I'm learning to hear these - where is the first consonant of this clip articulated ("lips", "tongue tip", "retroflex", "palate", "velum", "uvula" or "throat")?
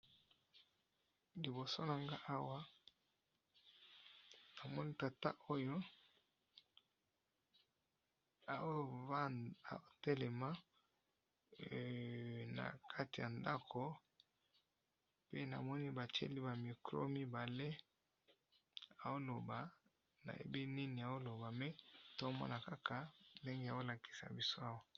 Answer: tongue tip